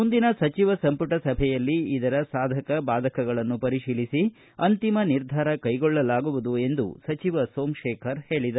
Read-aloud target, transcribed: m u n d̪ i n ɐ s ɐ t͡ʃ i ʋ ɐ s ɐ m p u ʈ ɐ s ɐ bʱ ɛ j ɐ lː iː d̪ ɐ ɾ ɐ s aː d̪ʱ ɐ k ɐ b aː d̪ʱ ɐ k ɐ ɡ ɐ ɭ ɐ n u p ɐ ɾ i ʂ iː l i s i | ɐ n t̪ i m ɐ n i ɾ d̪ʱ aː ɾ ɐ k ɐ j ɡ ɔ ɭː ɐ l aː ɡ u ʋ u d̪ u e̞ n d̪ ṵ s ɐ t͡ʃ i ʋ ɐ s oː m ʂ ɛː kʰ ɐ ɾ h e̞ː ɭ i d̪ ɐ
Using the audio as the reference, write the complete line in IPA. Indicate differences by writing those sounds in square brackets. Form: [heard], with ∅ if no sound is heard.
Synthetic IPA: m u n d̪ i n ɐ s ɐ t͡ʃ i ʋ ɐ s ɐ m p u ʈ ɐ s ɐ bʱ ɛ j ɐ lː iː d̪ ɐ ɾ ɐ s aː d̪ʱ ɐ k ɐ b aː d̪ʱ ɐ k ɐ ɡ ɐ ɭ ɐ [nː] u p ɐ ɾ i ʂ iː l i s i | ɐ n t̪ i m ɐ n i ɾ d̪ʱ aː ɾ ɐ k ɐ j ɡ ɔ ɭː ɐ l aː ɡ u ʋ u d̪ u e̞ n d̪ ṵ s ɐ t͡ʃ i ʋ ɐ s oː m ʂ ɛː kʰ ɐ ɾ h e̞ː ɭ i d̪ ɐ